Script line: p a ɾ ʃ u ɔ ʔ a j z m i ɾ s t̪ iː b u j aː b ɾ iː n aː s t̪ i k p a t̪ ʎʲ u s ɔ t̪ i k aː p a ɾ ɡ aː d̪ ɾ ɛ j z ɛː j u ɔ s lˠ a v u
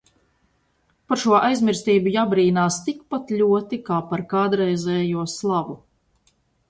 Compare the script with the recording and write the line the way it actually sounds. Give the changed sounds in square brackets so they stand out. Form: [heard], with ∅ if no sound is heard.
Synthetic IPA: p a ɾ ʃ u ɔ ʔ a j z m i ɾ s t̪ iː b u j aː b ɾ iː n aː s t̪ i k p a t̪ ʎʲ u [∅] ɔ t̪ i k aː p a ɾ [k] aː d̪ ɾ ɛ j z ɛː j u ɔ s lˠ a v u